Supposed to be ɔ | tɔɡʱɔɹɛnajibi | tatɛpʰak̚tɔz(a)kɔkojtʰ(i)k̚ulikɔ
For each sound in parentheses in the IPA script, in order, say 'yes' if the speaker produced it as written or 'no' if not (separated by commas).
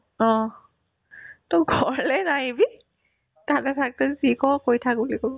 no, no